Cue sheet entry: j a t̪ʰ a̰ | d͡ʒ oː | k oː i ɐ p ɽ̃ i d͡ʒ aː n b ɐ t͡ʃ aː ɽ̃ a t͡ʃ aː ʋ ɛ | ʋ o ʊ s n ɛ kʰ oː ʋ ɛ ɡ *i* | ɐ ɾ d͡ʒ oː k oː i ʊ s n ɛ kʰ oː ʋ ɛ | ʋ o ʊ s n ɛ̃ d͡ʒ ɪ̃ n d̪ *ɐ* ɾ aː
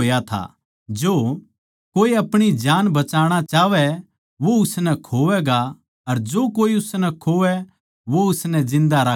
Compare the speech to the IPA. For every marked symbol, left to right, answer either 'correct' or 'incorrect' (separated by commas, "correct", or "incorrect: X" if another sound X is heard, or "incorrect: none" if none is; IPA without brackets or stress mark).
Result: incorrect: a, incorrect: a